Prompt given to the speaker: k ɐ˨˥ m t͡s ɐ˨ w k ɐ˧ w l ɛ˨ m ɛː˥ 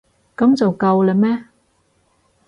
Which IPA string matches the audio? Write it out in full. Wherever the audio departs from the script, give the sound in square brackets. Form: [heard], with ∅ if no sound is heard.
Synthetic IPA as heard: k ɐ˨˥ m t͡s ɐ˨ w k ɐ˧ w l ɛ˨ m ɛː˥